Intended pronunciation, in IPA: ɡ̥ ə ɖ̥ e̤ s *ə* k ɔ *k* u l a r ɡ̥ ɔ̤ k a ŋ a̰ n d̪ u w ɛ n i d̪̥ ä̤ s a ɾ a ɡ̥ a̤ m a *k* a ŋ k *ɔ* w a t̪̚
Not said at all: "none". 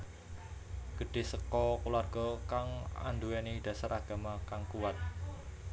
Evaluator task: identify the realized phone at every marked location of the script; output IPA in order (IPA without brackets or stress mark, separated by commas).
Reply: ə, k, k, u